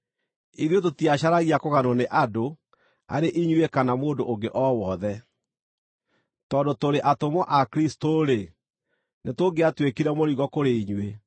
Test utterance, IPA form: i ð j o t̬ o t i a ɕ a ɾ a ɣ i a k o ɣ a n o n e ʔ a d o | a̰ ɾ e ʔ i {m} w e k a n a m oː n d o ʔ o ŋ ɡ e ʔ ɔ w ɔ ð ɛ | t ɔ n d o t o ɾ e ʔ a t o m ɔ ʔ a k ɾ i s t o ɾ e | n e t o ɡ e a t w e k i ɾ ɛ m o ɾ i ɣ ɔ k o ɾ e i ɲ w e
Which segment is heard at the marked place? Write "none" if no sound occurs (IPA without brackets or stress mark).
ɲ